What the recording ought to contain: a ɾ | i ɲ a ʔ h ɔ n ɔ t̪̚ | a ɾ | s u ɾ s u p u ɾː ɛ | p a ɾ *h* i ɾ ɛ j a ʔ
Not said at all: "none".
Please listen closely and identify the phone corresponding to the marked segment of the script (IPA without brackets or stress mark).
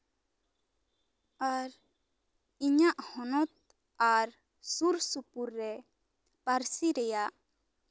s